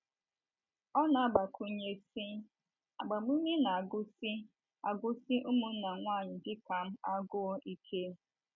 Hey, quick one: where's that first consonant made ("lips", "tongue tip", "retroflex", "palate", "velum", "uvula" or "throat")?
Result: tongue tip